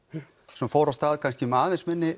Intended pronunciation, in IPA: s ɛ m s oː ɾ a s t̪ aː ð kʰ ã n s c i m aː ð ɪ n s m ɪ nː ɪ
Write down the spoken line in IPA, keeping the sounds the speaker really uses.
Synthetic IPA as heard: s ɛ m f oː ɾ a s t̪ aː ð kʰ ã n s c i m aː ð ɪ n s m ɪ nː ɪ